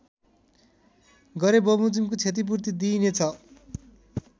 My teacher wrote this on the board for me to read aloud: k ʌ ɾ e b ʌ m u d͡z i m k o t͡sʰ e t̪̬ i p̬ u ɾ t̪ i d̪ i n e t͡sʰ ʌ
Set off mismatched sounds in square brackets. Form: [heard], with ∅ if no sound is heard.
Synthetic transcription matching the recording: [ɡ] ʌ ɾ e b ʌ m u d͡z i m k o t͡sʰ e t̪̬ i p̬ u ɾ t̪ i d̪ i n e t͡sʰ ʌ